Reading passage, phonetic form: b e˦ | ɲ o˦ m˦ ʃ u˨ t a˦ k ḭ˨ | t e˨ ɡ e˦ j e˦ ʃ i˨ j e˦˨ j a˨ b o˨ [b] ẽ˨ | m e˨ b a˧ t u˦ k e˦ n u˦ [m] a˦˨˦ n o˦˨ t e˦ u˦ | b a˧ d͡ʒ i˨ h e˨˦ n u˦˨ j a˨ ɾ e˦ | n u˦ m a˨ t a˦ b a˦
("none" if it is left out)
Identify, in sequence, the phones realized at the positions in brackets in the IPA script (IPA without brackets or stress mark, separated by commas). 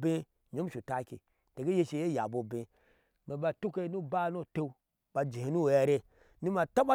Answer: b, b